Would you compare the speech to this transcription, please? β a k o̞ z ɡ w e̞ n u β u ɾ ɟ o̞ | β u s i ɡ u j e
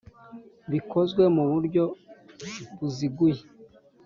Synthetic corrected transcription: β i k o̞ z ɡ w e̞ m u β u ɾ ɟ o̞ | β u z i ɡ u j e